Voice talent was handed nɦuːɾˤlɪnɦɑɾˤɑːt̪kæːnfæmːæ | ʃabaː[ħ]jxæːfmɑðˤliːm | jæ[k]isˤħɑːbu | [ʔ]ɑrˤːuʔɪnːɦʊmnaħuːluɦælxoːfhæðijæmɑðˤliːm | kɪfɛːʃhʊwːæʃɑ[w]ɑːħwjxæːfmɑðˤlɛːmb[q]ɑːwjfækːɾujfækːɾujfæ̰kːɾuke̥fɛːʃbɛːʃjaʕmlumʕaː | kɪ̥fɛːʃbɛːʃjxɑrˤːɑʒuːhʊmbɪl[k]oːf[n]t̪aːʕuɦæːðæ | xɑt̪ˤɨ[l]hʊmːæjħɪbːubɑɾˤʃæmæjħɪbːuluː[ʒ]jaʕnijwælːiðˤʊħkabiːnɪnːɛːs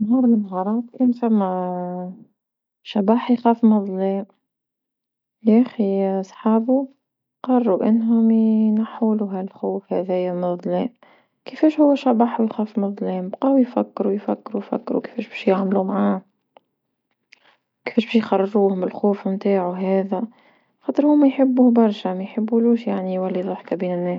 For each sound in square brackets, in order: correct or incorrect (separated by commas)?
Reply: correct, incorrect, incorrect, incorrect, correct, incorrect, incorrect, incorrect, incorrect